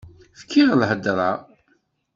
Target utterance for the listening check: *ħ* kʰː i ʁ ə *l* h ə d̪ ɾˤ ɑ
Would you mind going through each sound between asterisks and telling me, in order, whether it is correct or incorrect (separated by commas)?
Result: incorrect, correct